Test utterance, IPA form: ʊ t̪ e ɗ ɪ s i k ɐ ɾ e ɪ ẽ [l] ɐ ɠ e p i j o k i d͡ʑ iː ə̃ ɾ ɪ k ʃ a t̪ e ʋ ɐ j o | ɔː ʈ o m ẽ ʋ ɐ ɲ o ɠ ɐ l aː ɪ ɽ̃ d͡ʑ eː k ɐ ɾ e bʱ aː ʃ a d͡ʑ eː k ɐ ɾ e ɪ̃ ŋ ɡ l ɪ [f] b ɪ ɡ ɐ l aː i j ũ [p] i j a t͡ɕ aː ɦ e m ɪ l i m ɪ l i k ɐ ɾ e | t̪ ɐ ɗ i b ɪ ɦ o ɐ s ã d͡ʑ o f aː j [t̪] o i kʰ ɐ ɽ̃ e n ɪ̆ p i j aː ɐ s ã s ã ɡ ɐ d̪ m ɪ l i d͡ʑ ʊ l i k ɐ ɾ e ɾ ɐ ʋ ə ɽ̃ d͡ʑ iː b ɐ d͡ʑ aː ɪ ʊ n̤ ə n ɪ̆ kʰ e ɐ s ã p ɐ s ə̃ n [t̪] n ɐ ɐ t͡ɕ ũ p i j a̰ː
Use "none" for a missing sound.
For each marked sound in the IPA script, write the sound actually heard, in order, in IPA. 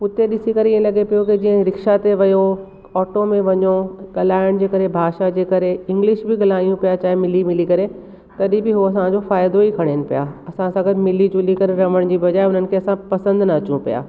l, ʃ, p, d̪, d̪

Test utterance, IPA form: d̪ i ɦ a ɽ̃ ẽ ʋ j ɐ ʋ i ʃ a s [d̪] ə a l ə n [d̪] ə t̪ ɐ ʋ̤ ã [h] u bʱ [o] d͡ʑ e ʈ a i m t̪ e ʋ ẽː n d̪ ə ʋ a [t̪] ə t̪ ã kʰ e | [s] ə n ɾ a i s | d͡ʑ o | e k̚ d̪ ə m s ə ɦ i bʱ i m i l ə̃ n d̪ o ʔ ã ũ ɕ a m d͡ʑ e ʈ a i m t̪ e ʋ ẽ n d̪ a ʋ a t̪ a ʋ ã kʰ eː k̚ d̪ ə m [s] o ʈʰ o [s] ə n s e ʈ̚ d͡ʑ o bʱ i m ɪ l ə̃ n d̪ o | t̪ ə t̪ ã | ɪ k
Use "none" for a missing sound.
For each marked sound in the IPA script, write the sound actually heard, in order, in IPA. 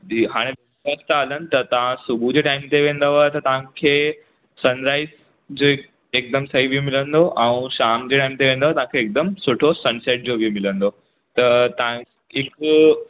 t̪, t̪, s, u, t̪, s, s, s

